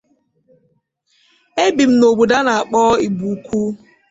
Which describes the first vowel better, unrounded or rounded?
unrounded